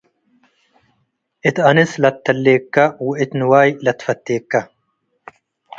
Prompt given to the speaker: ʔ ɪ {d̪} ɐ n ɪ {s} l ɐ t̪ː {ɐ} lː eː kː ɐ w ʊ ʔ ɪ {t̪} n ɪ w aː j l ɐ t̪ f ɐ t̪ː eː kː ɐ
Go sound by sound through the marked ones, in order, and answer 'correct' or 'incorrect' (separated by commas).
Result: incorrect, correct, correct, correct